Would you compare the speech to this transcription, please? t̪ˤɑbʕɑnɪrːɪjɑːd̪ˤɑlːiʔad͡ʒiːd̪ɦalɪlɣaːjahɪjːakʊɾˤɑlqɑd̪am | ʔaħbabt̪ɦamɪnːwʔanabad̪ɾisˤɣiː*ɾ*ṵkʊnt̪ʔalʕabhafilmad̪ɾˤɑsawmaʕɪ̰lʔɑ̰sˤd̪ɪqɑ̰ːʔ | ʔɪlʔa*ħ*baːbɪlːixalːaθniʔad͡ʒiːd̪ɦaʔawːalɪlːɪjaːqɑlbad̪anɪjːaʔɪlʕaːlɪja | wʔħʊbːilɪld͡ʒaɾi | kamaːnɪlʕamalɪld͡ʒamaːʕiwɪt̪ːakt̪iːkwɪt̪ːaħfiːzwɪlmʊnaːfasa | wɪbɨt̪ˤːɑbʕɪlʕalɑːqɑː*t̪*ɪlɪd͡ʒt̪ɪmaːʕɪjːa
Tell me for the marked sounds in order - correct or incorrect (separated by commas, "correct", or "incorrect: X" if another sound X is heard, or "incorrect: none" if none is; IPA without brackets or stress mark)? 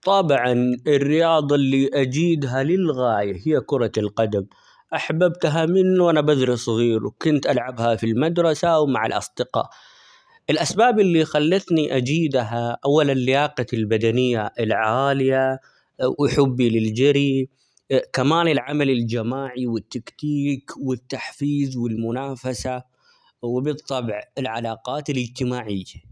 correct, incorrect: s, correct